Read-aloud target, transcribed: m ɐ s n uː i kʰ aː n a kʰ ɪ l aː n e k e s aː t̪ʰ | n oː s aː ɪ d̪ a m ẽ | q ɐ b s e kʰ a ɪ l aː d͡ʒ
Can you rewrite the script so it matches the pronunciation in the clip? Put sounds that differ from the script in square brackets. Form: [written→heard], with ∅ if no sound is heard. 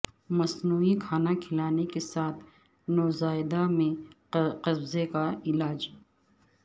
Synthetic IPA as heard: m ɐ s n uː i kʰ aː n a kʰ ɪ l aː n e k e s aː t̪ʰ | n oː [s→z] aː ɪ d̪ a m ẽ | q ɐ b [s→z] e [kʰ→k] a ɪ l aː d͡ʒ

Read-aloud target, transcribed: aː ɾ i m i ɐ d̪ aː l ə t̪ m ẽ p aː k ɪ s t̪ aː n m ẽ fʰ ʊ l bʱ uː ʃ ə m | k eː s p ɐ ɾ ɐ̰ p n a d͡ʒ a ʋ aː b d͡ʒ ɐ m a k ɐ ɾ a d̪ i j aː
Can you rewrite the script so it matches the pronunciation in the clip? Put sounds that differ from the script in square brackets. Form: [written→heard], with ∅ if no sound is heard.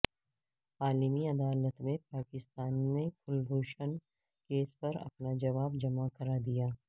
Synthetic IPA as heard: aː [ɾ→l] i m i ɐ d̪ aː l ə t̪ m ẽ p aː k ɪ s t̪ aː n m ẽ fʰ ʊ l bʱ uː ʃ ə [m→n] | k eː s p ɐ ɾ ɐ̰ p n a d͡ʒ [a→ɐ] ʋ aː b d͡ʒ ɐ m a k ɐ ɾ a d̪ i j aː

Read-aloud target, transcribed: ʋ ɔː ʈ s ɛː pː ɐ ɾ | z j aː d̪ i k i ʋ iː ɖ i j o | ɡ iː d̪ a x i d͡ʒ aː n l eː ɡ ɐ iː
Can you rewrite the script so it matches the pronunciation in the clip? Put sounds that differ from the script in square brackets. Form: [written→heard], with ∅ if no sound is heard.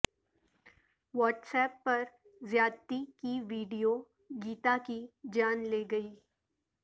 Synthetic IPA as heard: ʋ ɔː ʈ s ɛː pː ɐ ɾ | z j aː [d̪→t̪] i k i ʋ iː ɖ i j o | ɡ iː [d̪→t̪] a [x→k] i d͡ʒ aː n l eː ɡ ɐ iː

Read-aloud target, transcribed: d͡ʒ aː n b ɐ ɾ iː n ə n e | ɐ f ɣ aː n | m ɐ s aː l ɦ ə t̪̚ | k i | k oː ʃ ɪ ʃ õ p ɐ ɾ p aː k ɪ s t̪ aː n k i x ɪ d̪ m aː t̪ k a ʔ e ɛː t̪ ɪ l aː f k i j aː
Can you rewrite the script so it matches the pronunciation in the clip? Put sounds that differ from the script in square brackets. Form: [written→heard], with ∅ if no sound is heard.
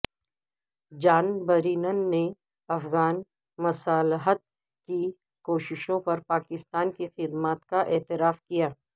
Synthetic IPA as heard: d͡ʒ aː n b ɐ ɾ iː n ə [n→nː] e | ɐ f ɣ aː n | m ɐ s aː l ɦ ə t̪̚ | k i | k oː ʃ ɪ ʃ õ p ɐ ɾ p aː k ɪ s t̪ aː n k i x ɪ d̪ m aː t̪ k a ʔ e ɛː t̪ ɪ [l→ɾ] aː f k i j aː

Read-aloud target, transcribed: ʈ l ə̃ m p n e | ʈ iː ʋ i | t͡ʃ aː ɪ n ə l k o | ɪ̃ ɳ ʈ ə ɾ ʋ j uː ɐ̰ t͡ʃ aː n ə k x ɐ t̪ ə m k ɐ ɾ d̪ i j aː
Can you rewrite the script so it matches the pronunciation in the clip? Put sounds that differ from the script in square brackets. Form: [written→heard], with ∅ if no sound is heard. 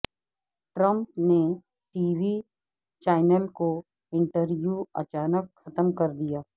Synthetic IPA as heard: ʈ [l→ɾ] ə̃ m p n e | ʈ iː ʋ i | t͡ʃ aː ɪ n ə l k o | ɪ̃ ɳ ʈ ə ɾ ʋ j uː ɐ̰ t͡ʃ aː n ə k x ɐ t̪ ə m k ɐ ɾ d̪ i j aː

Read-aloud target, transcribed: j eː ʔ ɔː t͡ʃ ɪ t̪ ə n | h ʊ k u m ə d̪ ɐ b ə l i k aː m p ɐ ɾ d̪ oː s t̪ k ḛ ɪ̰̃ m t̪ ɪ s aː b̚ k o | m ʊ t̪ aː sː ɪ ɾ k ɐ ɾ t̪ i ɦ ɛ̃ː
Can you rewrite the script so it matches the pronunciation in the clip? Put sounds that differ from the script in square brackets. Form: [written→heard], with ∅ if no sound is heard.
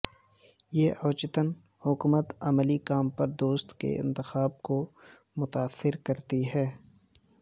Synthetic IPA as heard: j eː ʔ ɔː t͡ʃ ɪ t̪ ə n | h ʊ k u m ə [d̪→t̪] ɐ [b→m] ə l i k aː m p ɐ ɾ d̪ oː s t̪ k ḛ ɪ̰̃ [m→n] t̪ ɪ [s→x] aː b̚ k o | m ʊ t̪ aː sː ɪ ɾ k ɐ ɾ t̪ i ɦ [ɛ̃ː→ɛː]

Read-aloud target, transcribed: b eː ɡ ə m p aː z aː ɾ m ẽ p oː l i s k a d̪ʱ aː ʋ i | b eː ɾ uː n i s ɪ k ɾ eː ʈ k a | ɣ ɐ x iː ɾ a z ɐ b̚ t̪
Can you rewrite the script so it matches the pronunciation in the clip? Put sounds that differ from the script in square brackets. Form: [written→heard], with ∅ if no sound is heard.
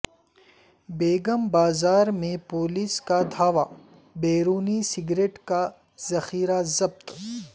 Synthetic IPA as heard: b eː ɡ ə m [p→b] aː z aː ɾ m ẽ p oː l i s k a d̪ʱ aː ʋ [i→a] | b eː ɾ uː n i s ɪ [k→ɡ] ɾ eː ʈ k a | [ɣ→z] ɐ x iː ɾ a z ɐ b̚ t̪

